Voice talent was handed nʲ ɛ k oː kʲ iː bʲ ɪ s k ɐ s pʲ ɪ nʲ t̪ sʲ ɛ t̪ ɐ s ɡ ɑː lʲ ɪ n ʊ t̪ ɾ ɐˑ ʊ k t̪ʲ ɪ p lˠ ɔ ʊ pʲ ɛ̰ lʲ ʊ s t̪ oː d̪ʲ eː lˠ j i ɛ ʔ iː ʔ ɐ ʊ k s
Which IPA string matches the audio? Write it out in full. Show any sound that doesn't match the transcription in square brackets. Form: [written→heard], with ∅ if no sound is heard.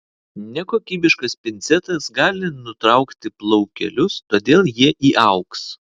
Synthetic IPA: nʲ ɛ k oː kʲ iː bʲ ɪ [s→ʃ] k ɐ s pʲ ɪ nʲ t̪ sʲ ɛ t̪ ɐ s ɡ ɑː lʲ ɪ n ʊ t̪ ɾ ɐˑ ʊ k t̪ʲ ɪ p lˠ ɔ ʊ [pʲ→kʲ] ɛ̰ lʲ ʊ s t̪ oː d̪ʲ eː lˠ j i ɛ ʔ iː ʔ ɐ ʊ k s